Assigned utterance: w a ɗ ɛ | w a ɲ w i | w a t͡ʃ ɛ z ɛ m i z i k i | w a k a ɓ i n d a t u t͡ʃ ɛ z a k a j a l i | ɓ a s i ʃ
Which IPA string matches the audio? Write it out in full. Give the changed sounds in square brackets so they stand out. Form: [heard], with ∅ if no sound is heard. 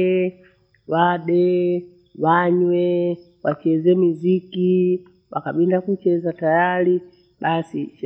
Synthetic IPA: w a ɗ ɛ | w a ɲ w [ɛ] | w a t͡ʃ ɛ z ɛ m i z i k i | w a k a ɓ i n d a [k] u t͡ʃ ɛ z a [t] a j a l i | ɓ a s i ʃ